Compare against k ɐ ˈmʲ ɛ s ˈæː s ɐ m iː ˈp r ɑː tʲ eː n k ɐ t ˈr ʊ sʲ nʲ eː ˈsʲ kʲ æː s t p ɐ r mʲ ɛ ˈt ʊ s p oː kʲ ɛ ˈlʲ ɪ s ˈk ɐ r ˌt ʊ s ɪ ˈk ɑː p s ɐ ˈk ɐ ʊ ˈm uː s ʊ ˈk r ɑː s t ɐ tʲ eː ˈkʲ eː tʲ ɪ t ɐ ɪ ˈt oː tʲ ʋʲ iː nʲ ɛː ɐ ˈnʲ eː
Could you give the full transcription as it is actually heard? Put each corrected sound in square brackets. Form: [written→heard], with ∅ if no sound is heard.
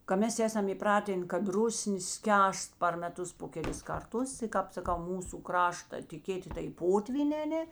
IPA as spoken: k ɐ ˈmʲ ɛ s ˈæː s ɐ m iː ˈp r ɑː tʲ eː n k ɐ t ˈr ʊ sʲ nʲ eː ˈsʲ kʲ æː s t p ɐ r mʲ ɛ ˈt ʊ s p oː kʲ ɛ ˈlʲ ɪ s ˈk ɐ r ˌt ʊ s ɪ ˈk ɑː p s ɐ ˈk ɐ ʊ ˈm uː s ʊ ˈk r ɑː [s→ʃ] t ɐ tʲ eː ˈkʲ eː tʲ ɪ t ɐ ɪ [ˈt→ˈp] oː tʲ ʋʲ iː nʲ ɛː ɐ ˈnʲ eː